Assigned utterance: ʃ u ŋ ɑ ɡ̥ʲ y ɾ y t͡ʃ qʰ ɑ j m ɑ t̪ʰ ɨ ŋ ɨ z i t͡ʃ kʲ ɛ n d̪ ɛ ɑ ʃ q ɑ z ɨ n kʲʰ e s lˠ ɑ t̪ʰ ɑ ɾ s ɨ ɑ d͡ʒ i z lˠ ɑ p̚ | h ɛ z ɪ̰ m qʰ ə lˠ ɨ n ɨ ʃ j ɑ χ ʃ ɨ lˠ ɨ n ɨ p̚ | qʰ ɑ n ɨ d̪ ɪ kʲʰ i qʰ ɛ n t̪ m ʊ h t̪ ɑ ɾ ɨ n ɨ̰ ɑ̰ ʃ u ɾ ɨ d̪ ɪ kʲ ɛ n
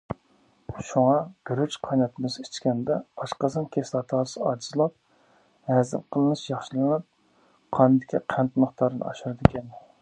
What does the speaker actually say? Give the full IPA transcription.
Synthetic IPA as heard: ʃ u ŋ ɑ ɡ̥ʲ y ɾ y t͡ʃ qʰ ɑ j n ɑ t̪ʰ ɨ m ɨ z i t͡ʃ kʲ ɛ n d̪ ɛ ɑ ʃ q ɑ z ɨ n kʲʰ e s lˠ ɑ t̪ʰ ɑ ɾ s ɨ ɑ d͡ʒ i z lˠ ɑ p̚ | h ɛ z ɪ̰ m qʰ ə lˠ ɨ n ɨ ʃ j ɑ χ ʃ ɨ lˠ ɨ n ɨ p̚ | qʰ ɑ n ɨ d̪ ɪ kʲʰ i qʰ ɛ n t̪ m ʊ χ t̪ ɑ ɾ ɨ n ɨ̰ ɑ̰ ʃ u ɾ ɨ d̪ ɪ kʲ ɛ n